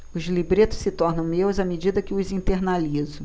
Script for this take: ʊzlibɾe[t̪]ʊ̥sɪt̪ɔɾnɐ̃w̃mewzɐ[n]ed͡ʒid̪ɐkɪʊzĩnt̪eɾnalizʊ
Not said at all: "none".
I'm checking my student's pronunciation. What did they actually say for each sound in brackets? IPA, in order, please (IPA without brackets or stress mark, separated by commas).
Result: t̪, m